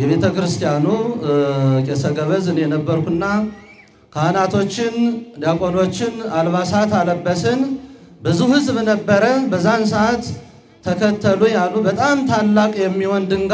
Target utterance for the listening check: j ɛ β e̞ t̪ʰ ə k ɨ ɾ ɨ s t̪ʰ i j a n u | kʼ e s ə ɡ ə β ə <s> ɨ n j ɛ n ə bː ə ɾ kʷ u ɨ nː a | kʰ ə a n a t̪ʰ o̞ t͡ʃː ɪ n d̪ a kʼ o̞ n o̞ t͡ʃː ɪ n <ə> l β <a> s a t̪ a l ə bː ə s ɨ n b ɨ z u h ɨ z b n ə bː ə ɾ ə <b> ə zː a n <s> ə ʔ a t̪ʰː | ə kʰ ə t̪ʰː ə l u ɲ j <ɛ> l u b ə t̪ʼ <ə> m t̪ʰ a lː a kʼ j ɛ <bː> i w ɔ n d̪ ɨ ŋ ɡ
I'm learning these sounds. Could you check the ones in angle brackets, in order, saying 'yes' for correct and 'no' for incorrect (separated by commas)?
no, no, yes, yes, yes, no, no, no